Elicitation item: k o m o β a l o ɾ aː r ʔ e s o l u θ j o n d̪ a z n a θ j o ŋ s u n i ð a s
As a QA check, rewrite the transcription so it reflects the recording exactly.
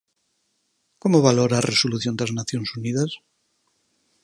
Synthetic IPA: k o m o β a l o ɾ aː r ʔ e s o l u θ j o n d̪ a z n a θ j o n s u n i ð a s